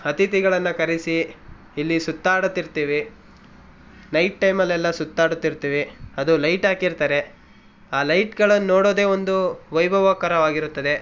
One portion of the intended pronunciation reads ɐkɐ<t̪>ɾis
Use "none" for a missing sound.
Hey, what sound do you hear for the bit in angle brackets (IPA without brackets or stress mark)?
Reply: none